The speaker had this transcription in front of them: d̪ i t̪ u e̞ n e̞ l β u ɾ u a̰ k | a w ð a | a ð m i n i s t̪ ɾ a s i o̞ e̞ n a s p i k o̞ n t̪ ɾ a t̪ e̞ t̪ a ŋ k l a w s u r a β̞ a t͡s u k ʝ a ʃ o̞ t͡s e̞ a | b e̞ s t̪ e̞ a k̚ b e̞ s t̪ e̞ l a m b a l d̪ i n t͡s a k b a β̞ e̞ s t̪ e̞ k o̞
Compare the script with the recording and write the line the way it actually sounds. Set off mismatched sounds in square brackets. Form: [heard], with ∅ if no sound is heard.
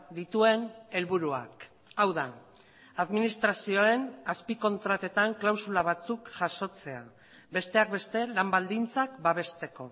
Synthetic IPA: d̪ i t̪ u e̞ n e̞ l β u ɾ u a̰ k | a w ð a | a ð m i n i s t̪ ɾ a s i o̞ e̞ n a s p i k o̞ n t̪ ɾ a t̪ e̞ t̪ a ŋ k l a w s u [l] a β̞ a t͡s u k ʝ a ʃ o̞ t͡s e̞ a | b e̞ s t̪ e̞ a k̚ b e̞ s t̪ e̞ l a m b a l d̪ i n t͡s a k b a β̞ e̞ s t̪ e̞ k o̞